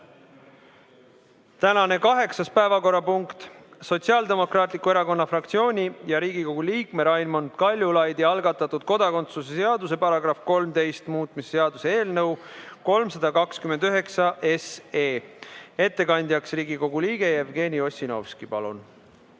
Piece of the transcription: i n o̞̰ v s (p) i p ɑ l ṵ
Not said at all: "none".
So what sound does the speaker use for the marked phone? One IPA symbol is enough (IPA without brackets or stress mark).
k